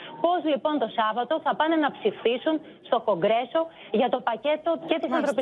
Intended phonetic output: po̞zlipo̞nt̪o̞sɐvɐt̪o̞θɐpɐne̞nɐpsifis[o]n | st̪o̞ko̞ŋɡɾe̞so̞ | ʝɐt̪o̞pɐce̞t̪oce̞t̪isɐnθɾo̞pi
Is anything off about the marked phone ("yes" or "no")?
yes